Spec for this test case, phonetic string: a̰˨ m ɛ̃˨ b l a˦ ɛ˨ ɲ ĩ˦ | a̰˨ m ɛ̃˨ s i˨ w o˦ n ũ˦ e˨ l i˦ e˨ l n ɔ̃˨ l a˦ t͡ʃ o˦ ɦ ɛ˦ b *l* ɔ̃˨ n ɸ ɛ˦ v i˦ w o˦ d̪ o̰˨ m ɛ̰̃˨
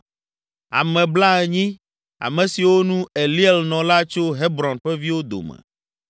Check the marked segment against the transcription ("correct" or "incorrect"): incorrect